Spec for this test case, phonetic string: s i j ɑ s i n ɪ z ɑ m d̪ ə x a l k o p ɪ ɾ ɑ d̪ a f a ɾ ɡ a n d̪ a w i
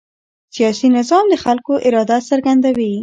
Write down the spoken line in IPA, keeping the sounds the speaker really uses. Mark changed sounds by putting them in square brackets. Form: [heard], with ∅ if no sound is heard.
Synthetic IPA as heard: s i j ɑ s i n ɪ z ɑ m d̪ ə x a l k o [ʔ] ɪ ɾ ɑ d̪ a [s] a ɾ ɡ a n d̪ a w i